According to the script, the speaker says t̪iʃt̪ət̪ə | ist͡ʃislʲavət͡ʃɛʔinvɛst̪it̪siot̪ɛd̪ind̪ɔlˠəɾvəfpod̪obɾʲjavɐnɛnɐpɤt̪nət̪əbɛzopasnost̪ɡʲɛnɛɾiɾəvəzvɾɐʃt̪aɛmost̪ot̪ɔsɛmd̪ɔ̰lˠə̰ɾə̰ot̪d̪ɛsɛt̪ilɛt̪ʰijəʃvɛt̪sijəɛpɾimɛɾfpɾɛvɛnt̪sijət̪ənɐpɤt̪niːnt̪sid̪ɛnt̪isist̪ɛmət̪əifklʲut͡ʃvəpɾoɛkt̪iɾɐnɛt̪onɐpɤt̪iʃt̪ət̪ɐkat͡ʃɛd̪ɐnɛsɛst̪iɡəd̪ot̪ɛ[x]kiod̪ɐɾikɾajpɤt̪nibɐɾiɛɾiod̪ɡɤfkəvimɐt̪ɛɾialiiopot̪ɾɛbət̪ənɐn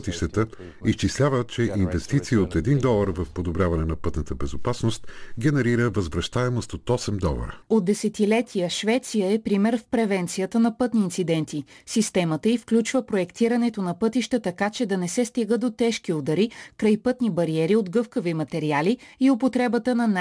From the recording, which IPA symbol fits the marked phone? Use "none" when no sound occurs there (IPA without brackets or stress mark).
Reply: ʃ